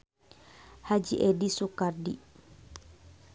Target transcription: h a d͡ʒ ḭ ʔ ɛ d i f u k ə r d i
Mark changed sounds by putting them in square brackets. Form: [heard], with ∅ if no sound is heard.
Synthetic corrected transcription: h a d͡ʒ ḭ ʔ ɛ d i [s] u k [a] r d i